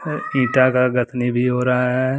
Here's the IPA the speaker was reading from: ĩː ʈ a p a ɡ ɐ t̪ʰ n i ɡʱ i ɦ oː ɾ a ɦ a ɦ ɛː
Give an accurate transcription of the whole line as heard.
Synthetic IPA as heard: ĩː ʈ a k a ɡ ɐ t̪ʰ n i bʱ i ɦ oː ɾ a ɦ a ɦ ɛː